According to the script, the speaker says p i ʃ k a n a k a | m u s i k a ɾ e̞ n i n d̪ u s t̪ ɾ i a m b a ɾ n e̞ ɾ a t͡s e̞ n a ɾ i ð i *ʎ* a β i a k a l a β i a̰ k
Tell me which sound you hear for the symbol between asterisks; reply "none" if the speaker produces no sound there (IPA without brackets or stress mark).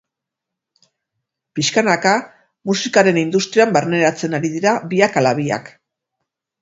ɾ